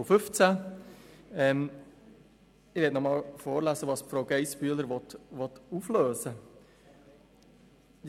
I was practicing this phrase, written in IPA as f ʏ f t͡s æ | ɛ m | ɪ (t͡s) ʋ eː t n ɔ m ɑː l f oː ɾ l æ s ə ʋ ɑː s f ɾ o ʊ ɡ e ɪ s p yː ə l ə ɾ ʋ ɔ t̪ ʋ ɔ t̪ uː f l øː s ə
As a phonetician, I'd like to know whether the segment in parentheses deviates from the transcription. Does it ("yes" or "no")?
yes